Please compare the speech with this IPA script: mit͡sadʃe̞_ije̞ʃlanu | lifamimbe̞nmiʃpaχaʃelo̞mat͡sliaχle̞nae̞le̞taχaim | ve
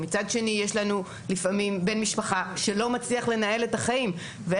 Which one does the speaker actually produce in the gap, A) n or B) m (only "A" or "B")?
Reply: A